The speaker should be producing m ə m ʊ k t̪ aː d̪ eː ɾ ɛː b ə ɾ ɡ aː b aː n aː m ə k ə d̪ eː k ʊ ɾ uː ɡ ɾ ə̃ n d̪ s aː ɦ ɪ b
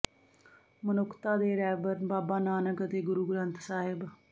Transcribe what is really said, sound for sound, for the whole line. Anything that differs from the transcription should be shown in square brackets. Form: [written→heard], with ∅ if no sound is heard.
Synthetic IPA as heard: m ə [m→n] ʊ k t̪ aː d̪ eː ɾ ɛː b ə ɾ [ɡ→b] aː b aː n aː [m→n] ə k ə [d̪→t̪] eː [k→ɡ] ʊ ɾ uː ɡ ɾ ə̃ n [d̪→t̪] s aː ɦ ɪ b